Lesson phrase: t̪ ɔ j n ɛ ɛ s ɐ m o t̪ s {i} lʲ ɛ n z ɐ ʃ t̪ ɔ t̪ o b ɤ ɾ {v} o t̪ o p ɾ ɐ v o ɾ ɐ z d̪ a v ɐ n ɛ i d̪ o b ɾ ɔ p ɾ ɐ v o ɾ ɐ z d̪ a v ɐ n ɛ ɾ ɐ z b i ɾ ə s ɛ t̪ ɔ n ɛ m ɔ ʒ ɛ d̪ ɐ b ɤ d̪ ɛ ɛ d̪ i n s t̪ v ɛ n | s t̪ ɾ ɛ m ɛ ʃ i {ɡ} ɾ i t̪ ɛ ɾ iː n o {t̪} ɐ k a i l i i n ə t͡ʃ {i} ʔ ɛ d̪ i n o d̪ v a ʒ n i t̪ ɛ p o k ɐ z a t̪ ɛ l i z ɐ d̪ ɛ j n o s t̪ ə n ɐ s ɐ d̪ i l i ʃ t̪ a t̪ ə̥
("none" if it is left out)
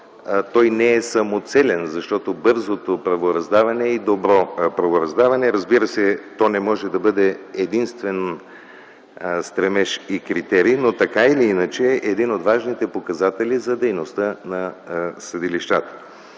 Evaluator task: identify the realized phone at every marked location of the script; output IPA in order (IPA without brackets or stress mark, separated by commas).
ɛ, z, k, t̪, ɛ